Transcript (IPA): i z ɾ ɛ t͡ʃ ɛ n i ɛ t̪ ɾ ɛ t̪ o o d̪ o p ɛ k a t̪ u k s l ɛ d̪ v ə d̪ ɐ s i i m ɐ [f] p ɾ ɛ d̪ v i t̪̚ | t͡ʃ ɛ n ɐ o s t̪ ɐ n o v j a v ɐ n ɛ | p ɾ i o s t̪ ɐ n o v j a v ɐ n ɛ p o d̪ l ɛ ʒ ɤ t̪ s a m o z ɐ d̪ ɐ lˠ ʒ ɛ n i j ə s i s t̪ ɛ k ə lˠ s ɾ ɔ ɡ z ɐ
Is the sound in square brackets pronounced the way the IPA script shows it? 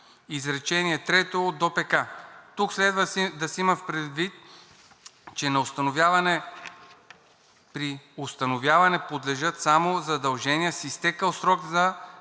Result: yes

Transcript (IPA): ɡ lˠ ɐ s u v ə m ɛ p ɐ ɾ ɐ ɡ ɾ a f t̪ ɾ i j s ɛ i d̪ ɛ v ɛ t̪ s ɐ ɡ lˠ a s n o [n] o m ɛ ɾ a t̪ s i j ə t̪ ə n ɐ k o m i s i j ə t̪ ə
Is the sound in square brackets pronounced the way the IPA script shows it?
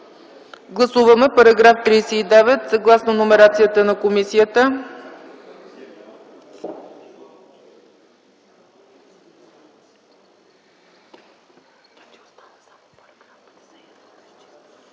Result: yes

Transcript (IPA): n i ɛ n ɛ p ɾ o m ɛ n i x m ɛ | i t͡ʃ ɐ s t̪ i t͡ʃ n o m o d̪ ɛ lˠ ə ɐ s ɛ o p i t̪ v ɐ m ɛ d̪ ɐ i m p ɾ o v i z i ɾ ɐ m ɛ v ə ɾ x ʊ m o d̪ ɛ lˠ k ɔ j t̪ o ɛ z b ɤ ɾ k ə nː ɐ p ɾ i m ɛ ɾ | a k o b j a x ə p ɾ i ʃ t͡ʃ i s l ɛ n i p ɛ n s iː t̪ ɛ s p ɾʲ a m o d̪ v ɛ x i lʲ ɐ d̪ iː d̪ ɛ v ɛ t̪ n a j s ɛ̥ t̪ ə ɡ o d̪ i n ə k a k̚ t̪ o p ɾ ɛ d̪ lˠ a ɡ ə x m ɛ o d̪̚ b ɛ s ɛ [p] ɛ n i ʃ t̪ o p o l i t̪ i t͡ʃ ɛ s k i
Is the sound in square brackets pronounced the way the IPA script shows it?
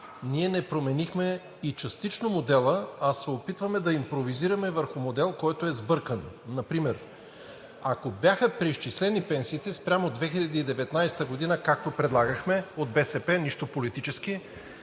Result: yes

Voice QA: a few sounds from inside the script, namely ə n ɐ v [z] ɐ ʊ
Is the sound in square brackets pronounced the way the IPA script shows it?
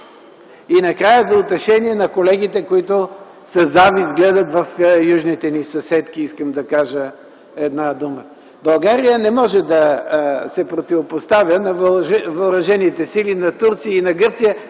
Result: no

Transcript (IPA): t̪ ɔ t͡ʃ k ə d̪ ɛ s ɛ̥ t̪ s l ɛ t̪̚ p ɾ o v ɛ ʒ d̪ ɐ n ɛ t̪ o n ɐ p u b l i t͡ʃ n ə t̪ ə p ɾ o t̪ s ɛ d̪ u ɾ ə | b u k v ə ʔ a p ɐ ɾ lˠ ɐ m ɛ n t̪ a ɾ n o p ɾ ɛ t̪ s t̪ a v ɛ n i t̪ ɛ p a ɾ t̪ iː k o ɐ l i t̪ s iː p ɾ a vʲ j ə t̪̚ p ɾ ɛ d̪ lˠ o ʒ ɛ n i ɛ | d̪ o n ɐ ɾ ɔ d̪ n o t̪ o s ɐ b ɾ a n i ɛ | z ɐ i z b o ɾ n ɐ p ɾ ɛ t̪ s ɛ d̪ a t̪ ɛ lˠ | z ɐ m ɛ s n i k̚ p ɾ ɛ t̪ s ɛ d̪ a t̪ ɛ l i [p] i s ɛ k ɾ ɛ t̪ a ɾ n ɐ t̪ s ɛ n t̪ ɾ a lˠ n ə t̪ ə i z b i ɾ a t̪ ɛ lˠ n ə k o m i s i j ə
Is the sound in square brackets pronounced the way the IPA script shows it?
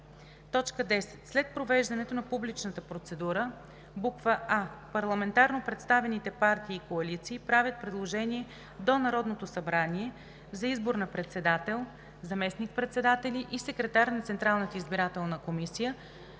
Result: no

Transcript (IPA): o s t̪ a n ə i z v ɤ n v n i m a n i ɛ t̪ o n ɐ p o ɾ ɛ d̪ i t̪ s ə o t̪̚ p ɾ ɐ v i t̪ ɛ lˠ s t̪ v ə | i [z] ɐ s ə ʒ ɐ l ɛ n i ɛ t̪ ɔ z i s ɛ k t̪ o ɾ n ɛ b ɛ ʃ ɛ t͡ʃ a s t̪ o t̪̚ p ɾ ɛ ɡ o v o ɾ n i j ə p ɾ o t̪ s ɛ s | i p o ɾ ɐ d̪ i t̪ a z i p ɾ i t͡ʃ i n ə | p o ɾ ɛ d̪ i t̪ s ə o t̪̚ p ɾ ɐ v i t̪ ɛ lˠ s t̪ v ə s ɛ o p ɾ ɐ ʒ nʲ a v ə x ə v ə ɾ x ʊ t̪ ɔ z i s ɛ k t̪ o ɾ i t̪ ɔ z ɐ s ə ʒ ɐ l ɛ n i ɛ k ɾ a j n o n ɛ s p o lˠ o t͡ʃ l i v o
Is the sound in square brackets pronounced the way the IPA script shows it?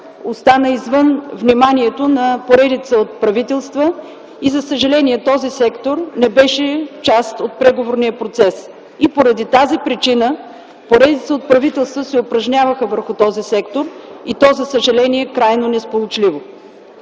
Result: yes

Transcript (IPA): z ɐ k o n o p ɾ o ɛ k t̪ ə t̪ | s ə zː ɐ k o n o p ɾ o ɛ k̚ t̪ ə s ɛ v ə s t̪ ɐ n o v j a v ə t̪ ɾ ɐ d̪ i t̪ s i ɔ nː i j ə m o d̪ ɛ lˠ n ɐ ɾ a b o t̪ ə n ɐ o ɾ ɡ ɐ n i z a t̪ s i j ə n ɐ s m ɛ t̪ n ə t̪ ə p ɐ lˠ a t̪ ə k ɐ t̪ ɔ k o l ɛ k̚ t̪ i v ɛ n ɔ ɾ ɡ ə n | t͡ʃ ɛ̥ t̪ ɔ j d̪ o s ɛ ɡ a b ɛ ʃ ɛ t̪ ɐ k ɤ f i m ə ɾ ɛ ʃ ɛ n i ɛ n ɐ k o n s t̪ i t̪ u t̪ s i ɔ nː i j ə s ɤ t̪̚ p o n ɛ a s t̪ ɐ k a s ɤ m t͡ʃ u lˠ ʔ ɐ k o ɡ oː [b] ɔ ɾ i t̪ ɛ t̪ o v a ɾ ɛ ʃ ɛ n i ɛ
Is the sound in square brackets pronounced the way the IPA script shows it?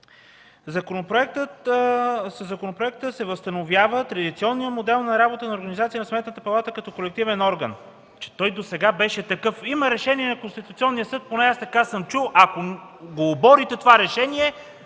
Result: yes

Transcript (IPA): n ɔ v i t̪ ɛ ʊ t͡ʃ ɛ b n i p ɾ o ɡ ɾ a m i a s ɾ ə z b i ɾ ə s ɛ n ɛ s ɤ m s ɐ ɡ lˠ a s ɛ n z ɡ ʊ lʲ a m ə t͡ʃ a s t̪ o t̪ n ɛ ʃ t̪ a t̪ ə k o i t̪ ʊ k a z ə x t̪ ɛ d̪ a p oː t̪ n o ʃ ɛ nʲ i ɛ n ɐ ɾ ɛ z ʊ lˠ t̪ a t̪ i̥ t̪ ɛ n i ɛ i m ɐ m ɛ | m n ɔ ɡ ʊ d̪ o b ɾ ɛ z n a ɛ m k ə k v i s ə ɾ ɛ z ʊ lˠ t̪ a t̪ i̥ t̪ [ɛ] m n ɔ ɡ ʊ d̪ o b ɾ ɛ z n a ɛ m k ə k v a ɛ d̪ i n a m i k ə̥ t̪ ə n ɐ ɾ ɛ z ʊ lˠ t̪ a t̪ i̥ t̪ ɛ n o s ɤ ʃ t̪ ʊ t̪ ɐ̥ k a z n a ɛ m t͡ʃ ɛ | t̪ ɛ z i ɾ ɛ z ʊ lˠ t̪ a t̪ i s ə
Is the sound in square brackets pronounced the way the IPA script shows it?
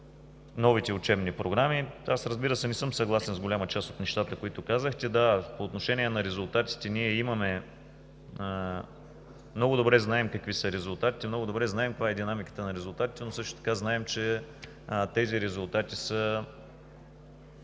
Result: yes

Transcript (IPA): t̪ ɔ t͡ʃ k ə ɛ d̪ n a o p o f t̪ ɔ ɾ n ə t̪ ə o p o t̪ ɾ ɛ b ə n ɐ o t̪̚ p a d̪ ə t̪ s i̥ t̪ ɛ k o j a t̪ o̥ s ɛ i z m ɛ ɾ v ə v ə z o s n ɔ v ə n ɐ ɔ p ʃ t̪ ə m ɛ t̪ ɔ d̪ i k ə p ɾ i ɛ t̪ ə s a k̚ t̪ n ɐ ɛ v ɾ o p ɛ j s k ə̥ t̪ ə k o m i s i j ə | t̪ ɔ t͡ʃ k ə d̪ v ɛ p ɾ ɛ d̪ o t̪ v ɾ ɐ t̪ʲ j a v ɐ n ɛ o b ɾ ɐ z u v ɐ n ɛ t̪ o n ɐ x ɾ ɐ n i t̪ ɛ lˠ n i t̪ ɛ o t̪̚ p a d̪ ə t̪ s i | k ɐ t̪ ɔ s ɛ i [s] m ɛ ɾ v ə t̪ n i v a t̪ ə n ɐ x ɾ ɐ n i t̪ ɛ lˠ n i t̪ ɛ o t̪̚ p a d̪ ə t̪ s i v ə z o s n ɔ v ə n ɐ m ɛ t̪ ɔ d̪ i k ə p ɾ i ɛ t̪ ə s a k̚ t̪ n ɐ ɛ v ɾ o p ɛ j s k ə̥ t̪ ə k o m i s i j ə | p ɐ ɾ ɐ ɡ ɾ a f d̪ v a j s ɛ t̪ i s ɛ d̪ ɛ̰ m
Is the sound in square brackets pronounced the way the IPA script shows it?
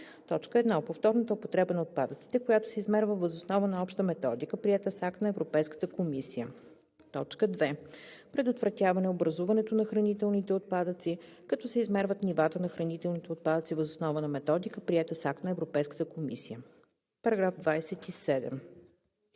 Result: no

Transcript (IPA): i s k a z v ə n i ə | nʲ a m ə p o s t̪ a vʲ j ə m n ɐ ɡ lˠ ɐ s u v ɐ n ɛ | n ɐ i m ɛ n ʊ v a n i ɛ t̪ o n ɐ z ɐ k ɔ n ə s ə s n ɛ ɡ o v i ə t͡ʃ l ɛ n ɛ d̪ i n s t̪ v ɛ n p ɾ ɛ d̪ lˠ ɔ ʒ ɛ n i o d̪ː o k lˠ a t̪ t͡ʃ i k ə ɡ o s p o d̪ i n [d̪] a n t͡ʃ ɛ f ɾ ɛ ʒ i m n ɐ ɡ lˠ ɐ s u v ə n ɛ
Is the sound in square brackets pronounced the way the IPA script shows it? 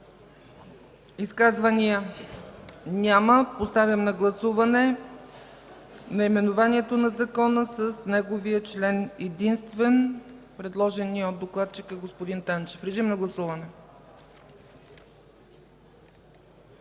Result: no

